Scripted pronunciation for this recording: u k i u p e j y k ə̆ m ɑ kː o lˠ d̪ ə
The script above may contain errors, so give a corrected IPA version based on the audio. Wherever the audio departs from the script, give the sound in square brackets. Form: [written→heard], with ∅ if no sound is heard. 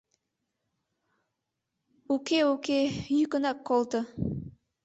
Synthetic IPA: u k [i→e] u [p→k] e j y k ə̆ [m→n] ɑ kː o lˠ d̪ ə